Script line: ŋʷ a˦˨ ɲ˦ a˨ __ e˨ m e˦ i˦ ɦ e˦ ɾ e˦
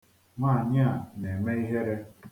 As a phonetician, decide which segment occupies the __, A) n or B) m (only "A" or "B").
A